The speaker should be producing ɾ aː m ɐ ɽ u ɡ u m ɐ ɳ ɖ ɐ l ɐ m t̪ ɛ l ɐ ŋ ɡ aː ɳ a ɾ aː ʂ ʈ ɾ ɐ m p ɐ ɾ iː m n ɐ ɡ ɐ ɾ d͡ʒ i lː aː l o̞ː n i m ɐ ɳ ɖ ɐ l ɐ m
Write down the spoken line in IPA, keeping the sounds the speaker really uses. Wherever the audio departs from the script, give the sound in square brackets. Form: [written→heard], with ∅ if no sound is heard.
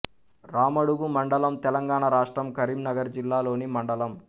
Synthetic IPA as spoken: ɾ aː m ɐ ɽ u ɡ u m ɐ ɳ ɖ ɐ l ɐ m t̪ ɛ l ɐ ŋ ɡ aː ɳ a ɾ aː ʂ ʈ ɾ ɐ m [p→k] ɐ ɾ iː m n ɐ ɡ ɐ ɾ d͡ʒ i lː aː l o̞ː n i m ɐ ɳ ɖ ɐ l ɐ m